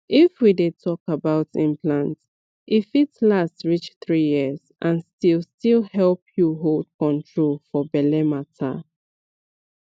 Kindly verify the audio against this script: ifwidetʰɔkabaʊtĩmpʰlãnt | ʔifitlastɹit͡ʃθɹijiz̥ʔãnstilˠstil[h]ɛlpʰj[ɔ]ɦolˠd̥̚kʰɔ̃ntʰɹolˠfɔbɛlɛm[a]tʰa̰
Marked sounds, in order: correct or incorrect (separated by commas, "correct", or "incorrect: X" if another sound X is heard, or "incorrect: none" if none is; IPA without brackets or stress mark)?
correct, incorrect: u, correct